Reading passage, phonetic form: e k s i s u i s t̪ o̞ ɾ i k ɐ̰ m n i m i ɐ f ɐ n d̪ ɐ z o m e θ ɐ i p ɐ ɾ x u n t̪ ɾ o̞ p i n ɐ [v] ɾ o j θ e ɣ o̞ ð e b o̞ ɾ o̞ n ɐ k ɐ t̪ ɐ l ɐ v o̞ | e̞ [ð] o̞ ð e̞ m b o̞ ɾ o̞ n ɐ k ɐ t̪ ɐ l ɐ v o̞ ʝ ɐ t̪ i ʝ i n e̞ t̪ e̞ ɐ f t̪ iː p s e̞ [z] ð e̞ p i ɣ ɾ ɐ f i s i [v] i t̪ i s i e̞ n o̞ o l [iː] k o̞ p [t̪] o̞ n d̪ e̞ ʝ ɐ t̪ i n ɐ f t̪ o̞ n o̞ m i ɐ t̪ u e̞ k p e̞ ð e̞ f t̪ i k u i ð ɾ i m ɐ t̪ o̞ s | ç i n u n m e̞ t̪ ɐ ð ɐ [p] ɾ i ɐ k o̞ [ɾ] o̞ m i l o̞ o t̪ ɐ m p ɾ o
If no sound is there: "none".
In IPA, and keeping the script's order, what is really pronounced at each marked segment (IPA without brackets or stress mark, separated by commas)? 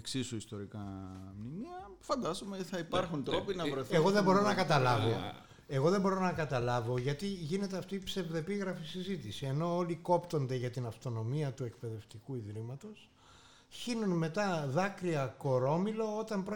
v, ɣ, v, z, i, t̪, k, ɾ